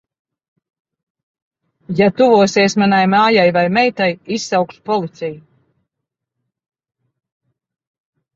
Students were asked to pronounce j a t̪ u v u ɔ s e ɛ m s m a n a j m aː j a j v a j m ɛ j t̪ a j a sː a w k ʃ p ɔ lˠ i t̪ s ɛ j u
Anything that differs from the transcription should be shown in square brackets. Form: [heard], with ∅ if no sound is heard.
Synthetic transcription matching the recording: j a t̪ u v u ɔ s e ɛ [∅] s m a n a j m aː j a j v a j m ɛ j t̪ a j [i] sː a w k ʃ p ɔ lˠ i t̪ s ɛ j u